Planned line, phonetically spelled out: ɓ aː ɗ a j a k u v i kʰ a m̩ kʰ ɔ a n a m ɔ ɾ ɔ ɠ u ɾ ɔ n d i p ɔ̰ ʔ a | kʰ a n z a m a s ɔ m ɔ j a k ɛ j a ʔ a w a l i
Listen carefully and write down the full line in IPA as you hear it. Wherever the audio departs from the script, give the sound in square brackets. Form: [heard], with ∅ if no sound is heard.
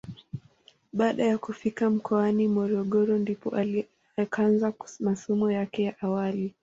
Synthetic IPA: ɓ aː ɗ a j a k u [f] i [k] a m̩ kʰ ɔ a n [i] m ɔ ɾ ɔ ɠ [ɔ] ɾ ɔ n d i p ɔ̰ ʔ a | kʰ a n z a m a s ɔ m ɔ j a k ɛ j a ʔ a w a l i